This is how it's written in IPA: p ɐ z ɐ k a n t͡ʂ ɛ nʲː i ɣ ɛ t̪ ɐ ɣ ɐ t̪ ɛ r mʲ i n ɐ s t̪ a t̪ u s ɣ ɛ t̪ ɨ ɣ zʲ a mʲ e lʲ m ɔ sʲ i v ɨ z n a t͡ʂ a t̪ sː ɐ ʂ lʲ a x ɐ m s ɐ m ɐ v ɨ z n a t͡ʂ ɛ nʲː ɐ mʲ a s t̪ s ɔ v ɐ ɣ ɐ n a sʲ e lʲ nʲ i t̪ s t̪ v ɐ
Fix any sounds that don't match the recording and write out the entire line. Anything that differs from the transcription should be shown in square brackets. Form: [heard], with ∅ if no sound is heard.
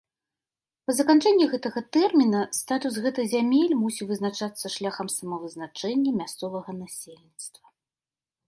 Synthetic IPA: p ɐ z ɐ k a n t͡ʂ ɛ nʲː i ɣ ɛ t̪ ɐ ɣ ɐ t̪ ɛ r mʲ i n ɐ s t̪ a t̪ u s ɣ ɛ t̪ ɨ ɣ zʲ a mʲ e lʲ m [u] sʲ i v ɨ z n a t͡ʂ a t̪ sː ɐ ʂ lʲ a x ɐ m s ɐ m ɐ v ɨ z n a t͡ʂ ɛ nʲː ɐ mʲ a s t̪ s ɔ v ɐ ɣ ɐ n a sʲ e lʲ nʲ i t̪ s t̪ v ɐ

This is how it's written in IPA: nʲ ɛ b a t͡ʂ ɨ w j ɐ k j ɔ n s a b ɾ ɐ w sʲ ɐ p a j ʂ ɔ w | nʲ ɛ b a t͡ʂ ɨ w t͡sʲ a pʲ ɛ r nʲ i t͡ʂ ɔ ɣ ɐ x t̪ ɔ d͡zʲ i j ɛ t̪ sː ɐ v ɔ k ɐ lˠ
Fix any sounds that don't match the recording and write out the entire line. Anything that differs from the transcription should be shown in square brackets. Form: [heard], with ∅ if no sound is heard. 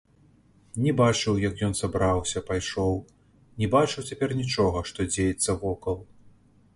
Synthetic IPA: nʲ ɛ b a t͡ʂ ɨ w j ɐ k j ɔ n s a b ɾ [a] w sʲ ɐ p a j ʂ ɔ w | nʲ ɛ b a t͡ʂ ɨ w t͡sʲ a pʲ ɛ r nʲ i t͡ʂ ɔ ɣ ɐ [ʂ] t̪ ɔ d͡zʲ [e] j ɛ t̪ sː ɐ v ɔ k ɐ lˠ

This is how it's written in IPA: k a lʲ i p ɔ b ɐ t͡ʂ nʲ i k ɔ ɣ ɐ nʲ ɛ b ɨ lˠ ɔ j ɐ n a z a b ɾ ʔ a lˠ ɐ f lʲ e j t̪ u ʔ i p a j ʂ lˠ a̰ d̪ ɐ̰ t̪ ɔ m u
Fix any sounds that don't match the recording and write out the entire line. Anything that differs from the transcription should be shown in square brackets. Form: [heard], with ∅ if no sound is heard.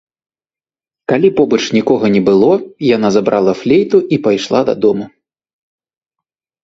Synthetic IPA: k a lʲ i p ɔ b ɐ t͡ʂ nʲ i k ɔ ɣ ɐ nʲ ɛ b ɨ lˠ ɔ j [a] n a z a b ɾ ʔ a lˠ ɐ f lʲ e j t̪ u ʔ i p a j ʂ lˠ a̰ d̪ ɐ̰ [d̪] ɔ m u

